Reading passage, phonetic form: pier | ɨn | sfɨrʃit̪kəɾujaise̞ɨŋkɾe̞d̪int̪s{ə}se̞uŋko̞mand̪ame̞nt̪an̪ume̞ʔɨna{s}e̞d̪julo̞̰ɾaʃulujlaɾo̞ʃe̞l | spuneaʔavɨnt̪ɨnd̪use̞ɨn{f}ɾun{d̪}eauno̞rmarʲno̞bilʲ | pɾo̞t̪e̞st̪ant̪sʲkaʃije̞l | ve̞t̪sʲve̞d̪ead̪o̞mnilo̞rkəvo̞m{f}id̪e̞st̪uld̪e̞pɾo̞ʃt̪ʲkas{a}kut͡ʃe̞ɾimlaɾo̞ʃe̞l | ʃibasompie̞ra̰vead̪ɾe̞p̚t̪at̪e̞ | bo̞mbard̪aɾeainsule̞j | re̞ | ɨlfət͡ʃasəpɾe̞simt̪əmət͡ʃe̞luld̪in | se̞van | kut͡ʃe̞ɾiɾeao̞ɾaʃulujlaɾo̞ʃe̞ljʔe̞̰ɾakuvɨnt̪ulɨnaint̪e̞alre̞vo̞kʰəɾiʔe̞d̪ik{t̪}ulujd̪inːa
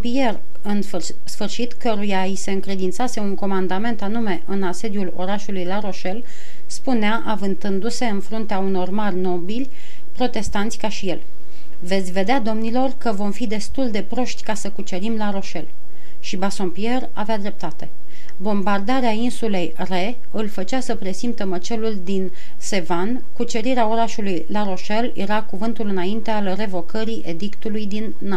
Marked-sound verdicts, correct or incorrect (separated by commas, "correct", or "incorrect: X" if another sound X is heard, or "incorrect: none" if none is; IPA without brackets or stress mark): incorrect: a, correct, correct, incorrect: t̪, correct, incorrect: ə, correct